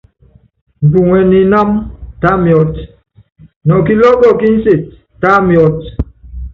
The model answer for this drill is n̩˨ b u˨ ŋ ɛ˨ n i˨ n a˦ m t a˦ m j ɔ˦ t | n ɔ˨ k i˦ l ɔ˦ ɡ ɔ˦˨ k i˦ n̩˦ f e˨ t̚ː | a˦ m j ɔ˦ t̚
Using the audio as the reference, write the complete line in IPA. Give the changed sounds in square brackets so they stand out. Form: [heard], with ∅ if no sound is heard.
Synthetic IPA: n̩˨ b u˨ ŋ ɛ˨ n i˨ n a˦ m t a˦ m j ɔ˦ t | n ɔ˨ k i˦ l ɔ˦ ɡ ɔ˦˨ k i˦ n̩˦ [s] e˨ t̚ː | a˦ m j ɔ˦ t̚